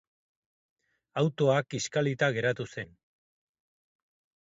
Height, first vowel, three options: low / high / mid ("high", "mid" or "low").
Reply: low